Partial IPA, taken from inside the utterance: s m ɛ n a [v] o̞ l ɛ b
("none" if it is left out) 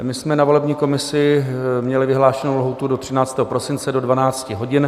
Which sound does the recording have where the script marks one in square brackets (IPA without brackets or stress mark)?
v